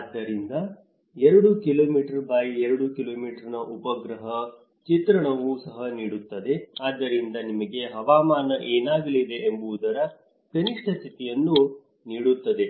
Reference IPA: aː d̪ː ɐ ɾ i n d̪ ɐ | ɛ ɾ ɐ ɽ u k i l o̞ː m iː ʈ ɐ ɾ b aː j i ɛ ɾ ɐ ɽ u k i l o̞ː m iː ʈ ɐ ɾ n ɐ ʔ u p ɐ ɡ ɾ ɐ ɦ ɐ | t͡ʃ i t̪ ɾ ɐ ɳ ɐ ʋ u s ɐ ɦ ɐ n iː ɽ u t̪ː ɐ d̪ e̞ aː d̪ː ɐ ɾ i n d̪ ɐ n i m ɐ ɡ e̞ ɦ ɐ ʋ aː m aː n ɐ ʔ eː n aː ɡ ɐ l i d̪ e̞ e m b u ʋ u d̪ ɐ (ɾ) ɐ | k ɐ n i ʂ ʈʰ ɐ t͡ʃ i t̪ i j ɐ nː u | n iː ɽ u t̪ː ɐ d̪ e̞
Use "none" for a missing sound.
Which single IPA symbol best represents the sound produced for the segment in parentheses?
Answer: ɾ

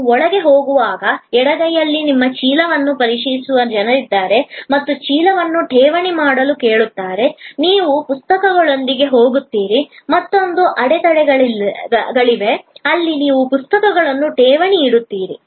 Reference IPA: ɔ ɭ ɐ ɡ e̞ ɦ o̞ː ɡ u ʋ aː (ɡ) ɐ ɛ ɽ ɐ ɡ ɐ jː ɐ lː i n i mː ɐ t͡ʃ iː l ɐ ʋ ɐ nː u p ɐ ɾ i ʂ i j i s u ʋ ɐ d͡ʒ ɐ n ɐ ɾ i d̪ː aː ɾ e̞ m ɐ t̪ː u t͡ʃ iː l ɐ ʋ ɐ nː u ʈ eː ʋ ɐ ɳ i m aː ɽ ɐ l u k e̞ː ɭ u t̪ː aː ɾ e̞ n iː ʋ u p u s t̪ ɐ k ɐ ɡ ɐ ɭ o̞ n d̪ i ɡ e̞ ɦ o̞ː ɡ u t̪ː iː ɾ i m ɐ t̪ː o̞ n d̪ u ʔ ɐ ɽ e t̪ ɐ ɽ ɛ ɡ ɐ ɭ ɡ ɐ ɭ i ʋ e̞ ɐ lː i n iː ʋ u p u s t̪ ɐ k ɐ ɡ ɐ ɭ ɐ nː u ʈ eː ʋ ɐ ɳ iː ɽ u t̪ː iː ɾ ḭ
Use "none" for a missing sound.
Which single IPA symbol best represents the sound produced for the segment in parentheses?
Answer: ɡ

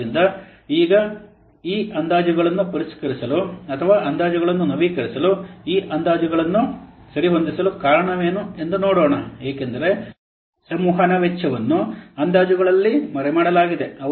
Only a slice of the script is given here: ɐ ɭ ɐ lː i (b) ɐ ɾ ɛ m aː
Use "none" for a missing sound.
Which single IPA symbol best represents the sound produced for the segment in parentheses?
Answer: m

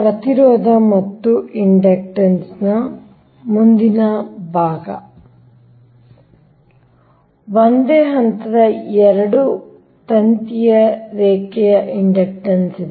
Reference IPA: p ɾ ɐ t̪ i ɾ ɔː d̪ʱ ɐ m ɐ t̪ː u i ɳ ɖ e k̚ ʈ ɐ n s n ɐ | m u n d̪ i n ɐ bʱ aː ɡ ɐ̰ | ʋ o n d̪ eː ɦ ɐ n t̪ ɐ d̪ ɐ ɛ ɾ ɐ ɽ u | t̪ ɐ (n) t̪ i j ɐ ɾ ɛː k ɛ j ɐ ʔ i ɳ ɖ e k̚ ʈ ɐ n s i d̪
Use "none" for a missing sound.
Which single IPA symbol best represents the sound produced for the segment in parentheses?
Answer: n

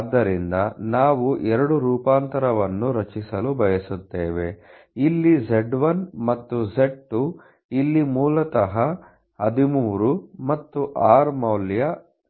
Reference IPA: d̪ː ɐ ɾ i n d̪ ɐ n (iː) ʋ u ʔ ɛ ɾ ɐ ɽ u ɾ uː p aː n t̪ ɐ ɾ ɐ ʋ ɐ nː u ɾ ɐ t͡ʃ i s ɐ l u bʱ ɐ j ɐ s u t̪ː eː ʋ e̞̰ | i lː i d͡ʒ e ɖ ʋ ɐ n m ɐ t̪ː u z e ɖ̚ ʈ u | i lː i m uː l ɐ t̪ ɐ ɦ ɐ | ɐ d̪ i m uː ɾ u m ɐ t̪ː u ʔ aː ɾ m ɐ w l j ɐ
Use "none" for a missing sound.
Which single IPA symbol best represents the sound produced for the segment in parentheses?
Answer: aː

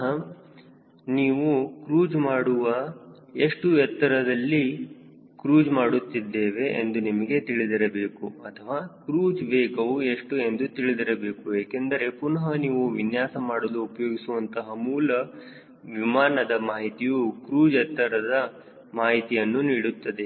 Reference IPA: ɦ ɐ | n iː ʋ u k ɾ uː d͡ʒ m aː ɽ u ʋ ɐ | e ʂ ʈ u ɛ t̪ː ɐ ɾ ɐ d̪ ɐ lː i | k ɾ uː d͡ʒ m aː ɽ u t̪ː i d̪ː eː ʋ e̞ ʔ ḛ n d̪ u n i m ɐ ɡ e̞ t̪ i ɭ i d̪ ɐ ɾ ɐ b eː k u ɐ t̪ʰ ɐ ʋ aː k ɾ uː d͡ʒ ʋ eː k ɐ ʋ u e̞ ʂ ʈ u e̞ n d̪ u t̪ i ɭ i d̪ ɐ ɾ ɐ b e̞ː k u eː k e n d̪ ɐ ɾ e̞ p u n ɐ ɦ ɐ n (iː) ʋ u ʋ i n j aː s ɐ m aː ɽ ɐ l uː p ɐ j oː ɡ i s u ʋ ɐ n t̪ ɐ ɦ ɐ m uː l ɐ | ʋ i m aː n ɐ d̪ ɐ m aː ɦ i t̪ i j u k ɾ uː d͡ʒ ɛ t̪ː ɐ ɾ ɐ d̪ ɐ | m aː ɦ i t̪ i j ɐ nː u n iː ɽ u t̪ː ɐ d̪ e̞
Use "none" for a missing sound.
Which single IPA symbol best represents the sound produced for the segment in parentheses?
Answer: iː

